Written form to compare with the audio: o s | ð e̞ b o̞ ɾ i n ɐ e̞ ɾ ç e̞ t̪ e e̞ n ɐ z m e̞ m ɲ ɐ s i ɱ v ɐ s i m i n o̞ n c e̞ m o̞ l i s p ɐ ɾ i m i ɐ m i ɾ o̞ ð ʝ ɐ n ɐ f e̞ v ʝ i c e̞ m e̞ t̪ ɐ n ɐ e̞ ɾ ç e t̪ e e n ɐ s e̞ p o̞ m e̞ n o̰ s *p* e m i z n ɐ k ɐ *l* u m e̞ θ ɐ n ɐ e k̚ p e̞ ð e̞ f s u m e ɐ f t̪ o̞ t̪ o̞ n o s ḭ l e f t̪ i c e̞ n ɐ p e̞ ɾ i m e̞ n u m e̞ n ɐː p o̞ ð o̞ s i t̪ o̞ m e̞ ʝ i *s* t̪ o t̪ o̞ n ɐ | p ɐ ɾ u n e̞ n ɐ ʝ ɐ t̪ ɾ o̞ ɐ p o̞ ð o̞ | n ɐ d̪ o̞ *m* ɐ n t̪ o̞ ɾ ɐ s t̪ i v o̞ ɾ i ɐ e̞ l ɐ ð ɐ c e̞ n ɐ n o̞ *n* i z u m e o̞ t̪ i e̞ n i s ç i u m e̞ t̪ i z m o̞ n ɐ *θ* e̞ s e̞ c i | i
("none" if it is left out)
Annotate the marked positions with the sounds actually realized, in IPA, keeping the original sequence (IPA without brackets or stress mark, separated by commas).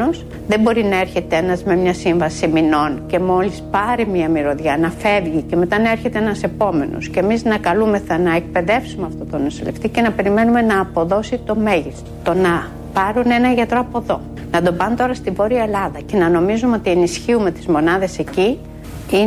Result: c, l, s, b, m, ð